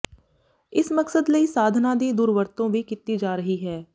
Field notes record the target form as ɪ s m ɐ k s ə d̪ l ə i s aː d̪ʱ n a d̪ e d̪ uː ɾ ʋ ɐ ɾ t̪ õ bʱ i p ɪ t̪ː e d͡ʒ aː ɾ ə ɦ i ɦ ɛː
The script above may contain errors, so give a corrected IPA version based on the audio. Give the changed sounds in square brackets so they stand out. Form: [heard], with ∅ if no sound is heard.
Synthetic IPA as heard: ɪ s m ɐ k s ə d̪ l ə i s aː d̪ʱ n a d̪ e d̪ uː ɾ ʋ [ə] ɾ t̪ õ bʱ i [k] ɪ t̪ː [i] d͡ʒ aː ɾ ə ɦ i ɦ ɛː